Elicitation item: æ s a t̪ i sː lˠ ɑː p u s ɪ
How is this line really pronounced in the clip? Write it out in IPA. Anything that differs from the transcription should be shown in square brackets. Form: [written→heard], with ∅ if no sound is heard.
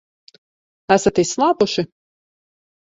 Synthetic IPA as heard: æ s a t̪ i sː lˠ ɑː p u [s→ʃ] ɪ